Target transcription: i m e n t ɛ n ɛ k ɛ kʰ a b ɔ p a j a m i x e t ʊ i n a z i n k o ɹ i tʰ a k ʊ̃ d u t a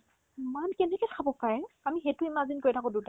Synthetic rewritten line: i m a n k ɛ n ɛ k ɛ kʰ a b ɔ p a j a m i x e t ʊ i m a z i n k o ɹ i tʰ a k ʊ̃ d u t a